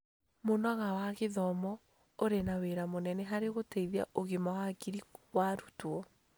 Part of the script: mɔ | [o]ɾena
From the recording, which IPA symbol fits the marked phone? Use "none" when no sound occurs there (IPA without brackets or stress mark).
o